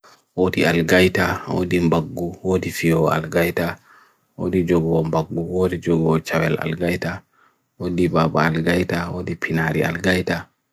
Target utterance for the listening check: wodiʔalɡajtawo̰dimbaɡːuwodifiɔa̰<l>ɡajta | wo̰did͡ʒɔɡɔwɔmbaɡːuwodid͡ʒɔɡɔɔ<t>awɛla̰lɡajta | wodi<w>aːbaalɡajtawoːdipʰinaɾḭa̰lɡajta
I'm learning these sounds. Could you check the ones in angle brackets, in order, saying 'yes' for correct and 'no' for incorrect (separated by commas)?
yes, no, no